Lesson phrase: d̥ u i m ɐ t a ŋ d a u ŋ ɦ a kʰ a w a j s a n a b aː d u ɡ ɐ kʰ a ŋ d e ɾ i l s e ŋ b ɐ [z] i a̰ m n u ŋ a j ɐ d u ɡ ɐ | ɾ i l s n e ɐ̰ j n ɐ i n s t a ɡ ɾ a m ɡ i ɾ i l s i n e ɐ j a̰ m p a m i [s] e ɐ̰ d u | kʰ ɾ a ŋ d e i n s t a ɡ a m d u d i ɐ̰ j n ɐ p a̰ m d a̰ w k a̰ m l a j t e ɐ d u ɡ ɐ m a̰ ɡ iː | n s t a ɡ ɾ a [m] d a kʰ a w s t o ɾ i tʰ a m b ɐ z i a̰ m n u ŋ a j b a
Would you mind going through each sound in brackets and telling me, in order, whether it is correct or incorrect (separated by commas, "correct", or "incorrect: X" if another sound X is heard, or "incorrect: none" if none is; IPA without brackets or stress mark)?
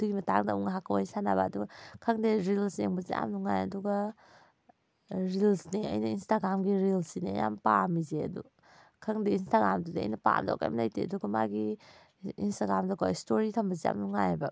correct, incorrect: z, correct